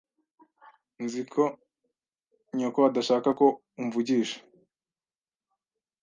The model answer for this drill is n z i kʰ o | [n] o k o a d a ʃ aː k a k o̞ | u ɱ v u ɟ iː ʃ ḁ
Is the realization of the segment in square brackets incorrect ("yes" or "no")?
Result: yes